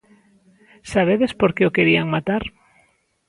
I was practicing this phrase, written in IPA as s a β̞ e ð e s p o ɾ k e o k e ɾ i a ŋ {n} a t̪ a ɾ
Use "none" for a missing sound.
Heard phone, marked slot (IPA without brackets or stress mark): m